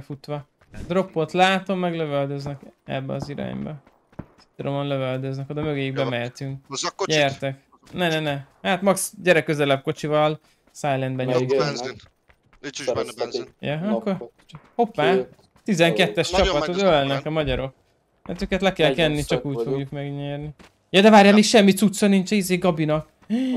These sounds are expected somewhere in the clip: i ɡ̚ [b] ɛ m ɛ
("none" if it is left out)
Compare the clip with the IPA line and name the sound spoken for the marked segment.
b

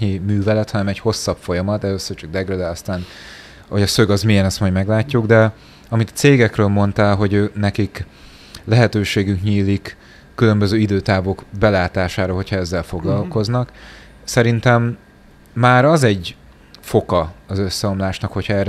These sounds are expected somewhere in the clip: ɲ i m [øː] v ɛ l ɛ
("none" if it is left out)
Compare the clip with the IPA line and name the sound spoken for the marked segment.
yː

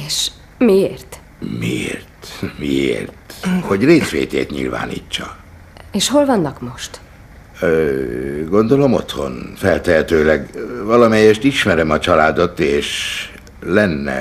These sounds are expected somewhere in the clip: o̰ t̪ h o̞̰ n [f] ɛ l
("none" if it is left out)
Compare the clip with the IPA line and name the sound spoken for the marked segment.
f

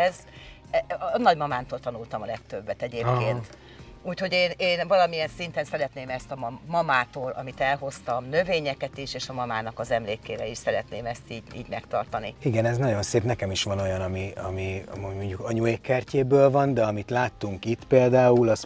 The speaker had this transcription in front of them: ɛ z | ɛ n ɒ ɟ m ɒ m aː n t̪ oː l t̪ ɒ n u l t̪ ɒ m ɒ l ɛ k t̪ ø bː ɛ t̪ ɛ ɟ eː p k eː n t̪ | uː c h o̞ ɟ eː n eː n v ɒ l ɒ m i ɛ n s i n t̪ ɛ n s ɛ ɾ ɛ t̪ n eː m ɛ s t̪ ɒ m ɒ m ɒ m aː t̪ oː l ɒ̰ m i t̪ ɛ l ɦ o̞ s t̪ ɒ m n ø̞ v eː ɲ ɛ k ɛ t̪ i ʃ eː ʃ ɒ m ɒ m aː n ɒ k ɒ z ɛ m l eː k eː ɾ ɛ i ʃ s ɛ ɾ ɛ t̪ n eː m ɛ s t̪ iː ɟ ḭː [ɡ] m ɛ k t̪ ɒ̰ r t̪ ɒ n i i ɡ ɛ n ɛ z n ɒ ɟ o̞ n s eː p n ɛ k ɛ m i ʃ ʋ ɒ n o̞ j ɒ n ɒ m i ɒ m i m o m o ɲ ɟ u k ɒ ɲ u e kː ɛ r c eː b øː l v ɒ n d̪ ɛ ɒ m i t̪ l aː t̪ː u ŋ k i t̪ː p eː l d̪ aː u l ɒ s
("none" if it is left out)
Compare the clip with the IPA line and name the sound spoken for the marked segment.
ɟ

